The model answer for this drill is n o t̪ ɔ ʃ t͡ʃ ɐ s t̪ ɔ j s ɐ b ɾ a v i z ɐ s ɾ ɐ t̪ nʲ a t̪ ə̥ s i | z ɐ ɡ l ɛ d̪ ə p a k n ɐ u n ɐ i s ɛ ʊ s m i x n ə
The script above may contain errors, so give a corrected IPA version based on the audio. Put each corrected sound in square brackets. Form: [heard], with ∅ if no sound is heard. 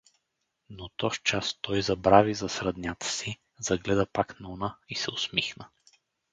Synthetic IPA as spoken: n o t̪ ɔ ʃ t͡ʃ [a] s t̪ ɔ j [z] ɐ b ɾ a v i z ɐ s ɾ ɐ [d̪] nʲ a t̪ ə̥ s i | z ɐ ɡ l ɛ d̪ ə p a k n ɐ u n [a] i s ɛ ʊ s m i x n ə